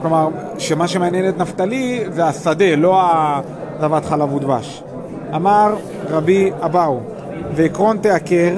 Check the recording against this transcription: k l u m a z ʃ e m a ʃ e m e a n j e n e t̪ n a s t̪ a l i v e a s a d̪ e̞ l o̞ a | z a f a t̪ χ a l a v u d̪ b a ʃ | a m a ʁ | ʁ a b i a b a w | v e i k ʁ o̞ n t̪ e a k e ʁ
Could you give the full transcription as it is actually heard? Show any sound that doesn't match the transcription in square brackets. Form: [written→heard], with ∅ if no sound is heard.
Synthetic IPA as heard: k l [u→o] m a [z→ʁ] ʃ e m a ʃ e m e a n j e n e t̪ n a [s→f] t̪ a l i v e a s a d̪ e̞ l o̞ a | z a [f→v] a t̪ χ a l a v u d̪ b a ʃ | a m a ʁ | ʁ a b i a b a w | v e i k ʁ o̞ n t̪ e a k e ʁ